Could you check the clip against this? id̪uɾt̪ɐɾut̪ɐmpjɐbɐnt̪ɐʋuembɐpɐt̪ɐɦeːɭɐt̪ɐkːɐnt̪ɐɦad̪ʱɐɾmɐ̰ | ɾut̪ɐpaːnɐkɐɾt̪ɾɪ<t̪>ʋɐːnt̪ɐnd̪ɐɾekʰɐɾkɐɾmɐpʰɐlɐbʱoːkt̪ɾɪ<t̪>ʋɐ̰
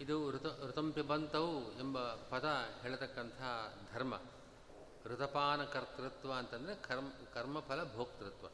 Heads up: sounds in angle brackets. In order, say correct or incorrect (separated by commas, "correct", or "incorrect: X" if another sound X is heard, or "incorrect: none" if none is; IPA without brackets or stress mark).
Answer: correct, correct